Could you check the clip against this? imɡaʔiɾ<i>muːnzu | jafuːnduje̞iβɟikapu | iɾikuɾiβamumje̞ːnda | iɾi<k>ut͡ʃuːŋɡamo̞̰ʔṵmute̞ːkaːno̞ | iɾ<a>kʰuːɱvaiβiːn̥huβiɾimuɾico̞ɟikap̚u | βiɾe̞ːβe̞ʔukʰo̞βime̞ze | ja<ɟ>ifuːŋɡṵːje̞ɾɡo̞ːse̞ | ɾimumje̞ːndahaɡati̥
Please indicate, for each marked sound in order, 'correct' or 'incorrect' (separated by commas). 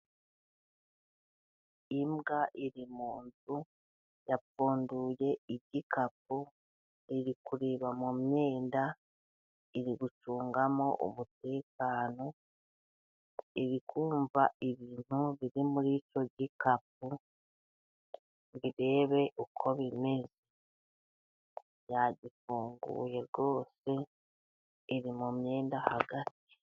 correct, incorrect, incorrect, correct